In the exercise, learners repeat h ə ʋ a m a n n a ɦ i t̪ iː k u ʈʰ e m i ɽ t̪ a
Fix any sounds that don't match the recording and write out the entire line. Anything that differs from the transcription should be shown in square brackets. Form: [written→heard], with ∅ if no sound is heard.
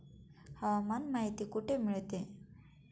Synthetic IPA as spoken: h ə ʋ a m a n [n→m] a ɦ i t̪ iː k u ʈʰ e m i [ɽ→ɭ] t̪ [a→e]